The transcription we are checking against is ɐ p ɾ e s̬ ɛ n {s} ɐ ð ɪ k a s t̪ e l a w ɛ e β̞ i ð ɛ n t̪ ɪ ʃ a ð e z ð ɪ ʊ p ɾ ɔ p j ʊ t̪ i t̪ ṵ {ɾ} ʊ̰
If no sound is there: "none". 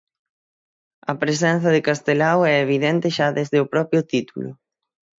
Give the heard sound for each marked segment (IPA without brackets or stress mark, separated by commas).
θ, l